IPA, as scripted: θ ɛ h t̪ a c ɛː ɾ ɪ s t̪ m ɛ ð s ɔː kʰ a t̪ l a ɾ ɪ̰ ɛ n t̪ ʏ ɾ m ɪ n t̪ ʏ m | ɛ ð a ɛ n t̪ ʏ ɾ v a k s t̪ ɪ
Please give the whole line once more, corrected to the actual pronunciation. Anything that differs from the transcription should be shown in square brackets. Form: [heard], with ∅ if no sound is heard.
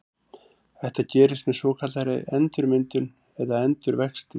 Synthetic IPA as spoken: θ ɛ h t̪ a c ɛː ɾ ɪ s t̪ m ɛ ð s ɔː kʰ a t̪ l a ɾ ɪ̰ ɛ n t̪ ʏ ɾ m ɪ n t̪ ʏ [n] | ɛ ð a ɛ n t̪ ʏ ɾ v [ɛ] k s t̪ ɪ